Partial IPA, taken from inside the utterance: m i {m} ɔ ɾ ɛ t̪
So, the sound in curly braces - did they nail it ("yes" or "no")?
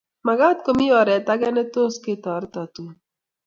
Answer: no